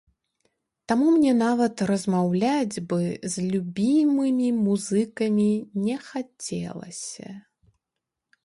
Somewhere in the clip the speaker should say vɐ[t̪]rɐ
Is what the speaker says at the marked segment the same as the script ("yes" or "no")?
yes